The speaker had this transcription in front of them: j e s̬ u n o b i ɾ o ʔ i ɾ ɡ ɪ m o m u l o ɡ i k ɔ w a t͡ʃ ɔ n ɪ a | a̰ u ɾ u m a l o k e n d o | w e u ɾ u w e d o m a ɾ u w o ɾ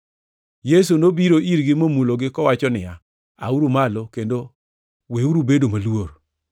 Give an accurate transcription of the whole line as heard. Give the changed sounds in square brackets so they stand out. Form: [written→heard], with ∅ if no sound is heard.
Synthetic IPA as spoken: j e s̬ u n o b i ɾ o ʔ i ɾ ɡ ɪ m o m u l o ɡ [i→ɪ] k ɔ w a t͡ʃ ɔ n ɪ a | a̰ u ɾ u m a l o k e n d o | w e u ɾ u [w→b] e d o m a [ɾ→l] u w o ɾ